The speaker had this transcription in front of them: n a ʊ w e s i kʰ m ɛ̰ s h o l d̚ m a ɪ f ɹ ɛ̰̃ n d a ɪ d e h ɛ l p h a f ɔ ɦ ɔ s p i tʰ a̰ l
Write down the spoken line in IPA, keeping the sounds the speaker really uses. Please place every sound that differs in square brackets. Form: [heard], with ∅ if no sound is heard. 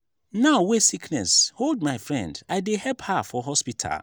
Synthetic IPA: n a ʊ w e s i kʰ [n] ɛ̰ s h o l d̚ m a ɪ f ɹ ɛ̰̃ n d a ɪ d e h ɛ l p h a f ɔ ɦ ɔ s p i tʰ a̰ l